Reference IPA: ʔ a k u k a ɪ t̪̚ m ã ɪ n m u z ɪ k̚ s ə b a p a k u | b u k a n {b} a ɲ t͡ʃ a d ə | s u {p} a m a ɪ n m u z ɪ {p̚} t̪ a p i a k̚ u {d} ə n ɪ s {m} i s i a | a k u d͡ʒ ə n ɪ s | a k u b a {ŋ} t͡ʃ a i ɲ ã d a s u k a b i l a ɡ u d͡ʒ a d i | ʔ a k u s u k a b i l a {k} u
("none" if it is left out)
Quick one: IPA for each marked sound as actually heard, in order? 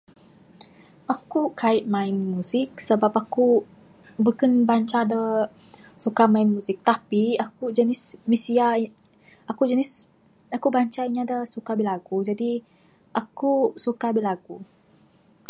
b, k, k̚, d͡ʒ, m, ɲ, ɡ

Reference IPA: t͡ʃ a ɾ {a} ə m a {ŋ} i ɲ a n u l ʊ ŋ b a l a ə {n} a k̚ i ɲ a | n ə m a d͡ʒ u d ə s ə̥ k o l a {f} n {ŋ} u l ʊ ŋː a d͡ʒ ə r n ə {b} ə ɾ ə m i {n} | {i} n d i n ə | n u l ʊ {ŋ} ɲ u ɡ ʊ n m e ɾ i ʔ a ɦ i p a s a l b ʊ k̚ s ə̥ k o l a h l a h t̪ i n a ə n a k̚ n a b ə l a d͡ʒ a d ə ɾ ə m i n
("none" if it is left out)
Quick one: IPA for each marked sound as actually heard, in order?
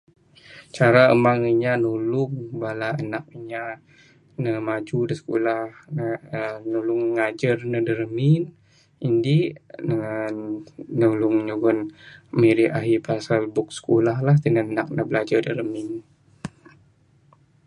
a, ŋ, n, h, n, d, n, i, ŋ

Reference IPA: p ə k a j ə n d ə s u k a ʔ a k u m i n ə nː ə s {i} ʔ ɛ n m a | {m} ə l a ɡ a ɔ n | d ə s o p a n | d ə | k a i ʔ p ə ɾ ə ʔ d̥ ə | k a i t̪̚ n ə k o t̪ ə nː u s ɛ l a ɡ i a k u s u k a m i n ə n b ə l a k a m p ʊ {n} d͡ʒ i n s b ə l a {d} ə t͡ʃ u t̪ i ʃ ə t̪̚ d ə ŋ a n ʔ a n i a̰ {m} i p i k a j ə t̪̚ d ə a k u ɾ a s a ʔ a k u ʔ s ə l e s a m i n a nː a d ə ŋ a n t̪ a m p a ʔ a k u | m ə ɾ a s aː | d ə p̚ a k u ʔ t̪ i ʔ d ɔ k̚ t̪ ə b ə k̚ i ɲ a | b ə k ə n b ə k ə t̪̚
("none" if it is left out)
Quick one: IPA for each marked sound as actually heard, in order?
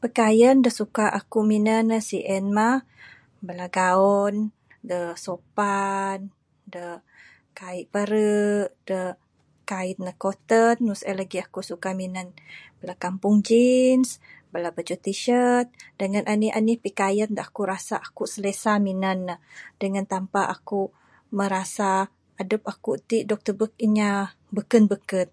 i, b, ŋ, b, n

